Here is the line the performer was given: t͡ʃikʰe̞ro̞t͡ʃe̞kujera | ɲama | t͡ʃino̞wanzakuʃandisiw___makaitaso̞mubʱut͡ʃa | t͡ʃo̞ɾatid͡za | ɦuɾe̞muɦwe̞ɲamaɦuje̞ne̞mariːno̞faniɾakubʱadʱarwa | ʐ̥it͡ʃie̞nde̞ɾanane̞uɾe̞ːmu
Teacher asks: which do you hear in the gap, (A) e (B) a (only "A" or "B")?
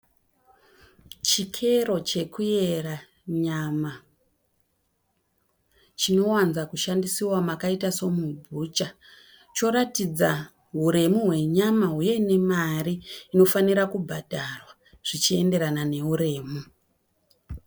B